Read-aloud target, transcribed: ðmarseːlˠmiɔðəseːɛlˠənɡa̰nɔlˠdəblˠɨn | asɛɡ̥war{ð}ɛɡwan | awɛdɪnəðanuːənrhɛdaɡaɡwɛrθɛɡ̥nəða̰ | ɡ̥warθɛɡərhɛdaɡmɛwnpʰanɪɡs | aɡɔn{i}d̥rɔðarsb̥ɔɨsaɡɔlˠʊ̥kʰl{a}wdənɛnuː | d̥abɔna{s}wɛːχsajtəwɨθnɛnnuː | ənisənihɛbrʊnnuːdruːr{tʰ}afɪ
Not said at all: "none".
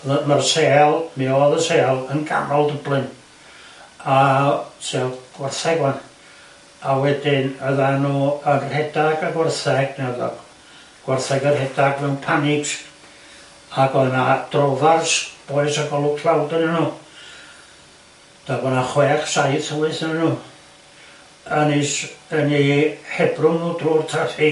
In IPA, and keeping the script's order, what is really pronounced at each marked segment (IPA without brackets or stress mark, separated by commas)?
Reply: θ, a, a, χ, tʰ